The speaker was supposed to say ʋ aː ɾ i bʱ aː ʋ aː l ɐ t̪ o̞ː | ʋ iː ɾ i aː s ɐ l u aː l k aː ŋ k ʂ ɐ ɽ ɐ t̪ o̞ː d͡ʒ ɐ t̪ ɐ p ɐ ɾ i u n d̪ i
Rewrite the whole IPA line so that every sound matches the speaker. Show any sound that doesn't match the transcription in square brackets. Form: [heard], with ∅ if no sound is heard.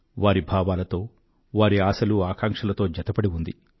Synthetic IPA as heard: ʋ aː ɾ i bʱ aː ʋ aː l ɐ t̪ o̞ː | ʋ [aː] ɾ i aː s ɐ l u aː [∅] k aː ŋ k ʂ ɐ [l] ɐ t̪ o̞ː d͡ʒ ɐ t̪ ɐ p ɐ [ɽ] i u n d̪ i